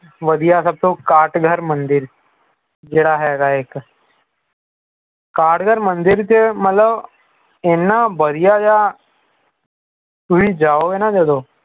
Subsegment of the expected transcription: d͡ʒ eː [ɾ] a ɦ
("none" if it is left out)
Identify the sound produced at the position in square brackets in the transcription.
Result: ɽ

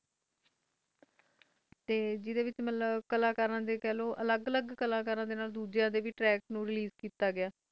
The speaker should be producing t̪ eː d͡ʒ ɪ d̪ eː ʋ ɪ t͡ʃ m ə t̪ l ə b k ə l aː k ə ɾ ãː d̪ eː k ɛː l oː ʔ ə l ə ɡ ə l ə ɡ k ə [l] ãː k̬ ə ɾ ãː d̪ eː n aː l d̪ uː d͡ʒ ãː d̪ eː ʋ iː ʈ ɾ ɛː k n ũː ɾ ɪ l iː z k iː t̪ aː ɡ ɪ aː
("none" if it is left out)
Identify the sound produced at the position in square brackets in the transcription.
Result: l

